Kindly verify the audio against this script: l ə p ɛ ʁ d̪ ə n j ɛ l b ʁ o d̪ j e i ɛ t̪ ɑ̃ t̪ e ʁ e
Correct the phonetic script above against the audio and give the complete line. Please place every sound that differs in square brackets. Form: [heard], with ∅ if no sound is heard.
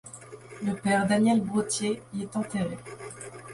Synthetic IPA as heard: l ə p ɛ ʁ d̪ [a] n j ɛ l b ʁ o [t̪] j e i ɛ t̪ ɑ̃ t̪ e ʁ e